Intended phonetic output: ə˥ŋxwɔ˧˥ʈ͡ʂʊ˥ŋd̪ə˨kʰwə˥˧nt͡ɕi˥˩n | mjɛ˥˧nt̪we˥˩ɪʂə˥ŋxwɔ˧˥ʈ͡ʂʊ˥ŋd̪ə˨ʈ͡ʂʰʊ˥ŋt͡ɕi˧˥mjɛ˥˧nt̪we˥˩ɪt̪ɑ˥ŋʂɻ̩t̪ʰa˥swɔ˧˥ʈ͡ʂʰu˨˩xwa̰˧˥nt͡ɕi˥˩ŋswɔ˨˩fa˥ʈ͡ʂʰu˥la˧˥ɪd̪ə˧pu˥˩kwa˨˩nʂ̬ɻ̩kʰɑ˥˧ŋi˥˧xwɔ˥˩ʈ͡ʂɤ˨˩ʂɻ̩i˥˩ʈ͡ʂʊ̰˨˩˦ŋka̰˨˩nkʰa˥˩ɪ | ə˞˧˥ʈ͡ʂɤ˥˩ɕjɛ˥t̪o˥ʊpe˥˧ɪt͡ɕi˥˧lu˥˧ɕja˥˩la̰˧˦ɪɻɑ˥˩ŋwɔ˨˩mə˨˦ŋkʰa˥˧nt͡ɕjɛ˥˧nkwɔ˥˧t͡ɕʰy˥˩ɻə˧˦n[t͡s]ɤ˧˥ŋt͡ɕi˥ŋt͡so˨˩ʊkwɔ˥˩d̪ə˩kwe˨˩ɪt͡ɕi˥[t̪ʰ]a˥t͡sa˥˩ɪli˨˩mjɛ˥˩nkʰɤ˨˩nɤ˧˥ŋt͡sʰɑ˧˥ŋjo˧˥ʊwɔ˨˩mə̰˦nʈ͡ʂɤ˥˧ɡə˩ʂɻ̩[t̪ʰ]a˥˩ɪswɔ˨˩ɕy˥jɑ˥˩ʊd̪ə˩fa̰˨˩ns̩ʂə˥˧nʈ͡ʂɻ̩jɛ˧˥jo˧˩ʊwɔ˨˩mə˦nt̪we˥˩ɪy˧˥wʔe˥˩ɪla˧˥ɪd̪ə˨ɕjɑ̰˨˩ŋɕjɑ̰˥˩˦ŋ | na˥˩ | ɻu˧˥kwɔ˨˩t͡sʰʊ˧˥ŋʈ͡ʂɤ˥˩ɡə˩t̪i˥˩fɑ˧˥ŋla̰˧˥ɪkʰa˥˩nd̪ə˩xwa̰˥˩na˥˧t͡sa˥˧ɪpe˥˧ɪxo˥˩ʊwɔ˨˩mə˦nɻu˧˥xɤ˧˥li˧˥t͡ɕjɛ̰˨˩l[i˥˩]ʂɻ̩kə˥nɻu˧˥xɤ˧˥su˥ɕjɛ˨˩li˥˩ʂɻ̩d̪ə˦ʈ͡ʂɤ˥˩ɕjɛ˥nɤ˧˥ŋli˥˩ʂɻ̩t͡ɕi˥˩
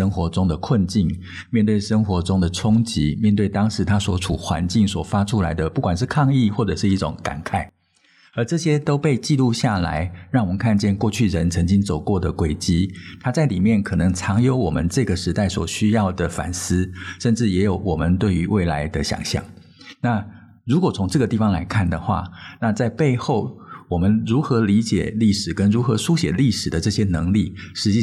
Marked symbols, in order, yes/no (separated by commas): no, yes, no, yes